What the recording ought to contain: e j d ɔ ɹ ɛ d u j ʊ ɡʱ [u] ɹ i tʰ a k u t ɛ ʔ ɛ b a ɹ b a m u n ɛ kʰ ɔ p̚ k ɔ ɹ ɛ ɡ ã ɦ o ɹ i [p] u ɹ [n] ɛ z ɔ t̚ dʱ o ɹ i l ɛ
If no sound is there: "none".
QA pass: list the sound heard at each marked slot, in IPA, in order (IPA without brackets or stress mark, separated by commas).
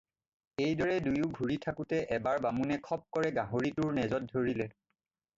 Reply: u, t, n